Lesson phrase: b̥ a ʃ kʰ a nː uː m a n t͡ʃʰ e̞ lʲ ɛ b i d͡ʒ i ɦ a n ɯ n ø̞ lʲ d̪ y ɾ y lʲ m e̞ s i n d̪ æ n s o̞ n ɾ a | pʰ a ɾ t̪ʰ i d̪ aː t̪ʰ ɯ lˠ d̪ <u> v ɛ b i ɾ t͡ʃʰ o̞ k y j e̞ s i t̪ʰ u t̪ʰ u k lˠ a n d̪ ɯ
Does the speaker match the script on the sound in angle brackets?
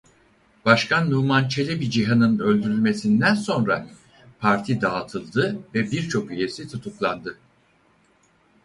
no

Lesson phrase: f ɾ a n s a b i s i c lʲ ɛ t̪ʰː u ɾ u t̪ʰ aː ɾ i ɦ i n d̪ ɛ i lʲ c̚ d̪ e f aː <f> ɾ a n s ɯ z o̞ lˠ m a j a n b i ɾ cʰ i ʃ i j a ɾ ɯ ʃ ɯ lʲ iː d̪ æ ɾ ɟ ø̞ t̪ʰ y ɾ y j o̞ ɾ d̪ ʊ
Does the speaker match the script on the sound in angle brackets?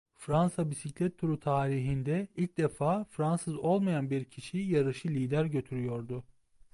yes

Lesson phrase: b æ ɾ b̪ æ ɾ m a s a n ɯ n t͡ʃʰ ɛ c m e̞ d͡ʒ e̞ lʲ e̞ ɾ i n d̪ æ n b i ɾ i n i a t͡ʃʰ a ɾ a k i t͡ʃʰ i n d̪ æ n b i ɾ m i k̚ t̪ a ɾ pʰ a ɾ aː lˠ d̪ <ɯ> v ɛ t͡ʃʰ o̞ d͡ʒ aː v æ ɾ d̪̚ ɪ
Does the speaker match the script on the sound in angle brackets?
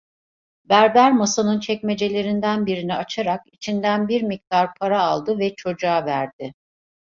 yes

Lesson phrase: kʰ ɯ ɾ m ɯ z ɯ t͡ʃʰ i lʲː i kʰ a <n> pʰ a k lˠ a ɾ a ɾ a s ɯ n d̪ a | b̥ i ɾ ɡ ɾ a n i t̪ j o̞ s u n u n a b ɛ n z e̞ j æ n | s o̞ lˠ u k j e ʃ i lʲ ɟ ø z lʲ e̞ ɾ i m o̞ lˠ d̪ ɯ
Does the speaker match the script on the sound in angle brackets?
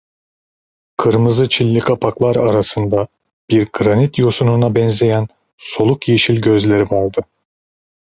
no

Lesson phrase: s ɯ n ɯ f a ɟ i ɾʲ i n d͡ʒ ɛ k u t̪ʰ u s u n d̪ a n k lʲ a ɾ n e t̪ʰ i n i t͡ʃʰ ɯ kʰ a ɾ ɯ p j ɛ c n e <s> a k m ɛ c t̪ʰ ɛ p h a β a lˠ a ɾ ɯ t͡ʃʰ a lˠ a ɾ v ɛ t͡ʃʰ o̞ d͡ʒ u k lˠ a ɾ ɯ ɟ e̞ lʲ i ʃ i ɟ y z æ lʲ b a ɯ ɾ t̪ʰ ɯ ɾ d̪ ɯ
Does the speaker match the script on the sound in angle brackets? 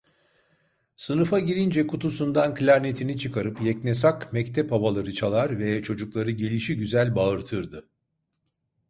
yes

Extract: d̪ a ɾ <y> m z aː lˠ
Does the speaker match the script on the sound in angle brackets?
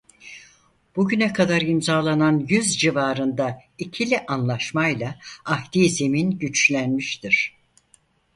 no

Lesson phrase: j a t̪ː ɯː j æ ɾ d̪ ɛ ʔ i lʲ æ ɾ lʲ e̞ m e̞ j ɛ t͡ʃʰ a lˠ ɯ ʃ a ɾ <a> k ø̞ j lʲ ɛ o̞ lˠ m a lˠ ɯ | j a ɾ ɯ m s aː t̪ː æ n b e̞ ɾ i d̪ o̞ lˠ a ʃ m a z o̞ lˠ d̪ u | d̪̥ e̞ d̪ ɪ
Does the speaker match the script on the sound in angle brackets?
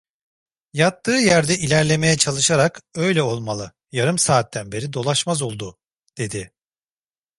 yes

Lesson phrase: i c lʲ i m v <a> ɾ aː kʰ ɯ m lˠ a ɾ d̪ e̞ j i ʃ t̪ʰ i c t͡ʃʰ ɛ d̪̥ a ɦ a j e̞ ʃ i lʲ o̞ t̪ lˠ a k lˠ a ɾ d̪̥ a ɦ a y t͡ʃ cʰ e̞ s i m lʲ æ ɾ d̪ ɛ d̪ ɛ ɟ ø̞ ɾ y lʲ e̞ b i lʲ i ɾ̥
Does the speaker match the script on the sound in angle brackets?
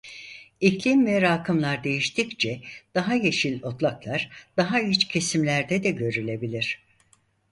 no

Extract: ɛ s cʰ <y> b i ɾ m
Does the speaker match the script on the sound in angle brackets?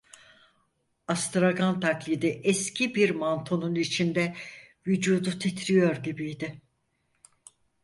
no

